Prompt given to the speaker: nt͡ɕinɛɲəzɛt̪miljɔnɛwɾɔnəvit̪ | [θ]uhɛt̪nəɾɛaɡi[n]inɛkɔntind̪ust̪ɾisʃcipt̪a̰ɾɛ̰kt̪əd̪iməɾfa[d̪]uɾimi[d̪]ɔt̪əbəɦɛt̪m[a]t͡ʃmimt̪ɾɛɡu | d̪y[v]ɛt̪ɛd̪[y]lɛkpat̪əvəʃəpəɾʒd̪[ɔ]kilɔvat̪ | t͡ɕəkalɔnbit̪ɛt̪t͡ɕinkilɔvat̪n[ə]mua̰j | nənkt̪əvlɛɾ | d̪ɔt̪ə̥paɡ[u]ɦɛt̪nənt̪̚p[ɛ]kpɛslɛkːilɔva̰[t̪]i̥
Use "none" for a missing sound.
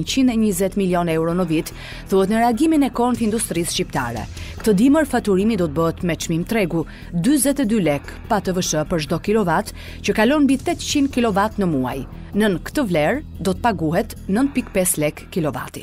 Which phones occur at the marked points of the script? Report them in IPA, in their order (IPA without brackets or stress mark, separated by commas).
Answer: θ, m, t̪, d̪, ɛ, z, y, ɔ, ə, u, i, t̪